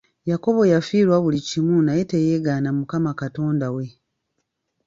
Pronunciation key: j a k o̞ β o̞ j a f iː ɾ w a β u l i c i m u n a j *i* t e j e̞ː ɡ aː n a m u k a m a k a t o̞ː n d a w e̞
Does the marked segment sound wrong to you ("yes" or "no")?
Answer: yes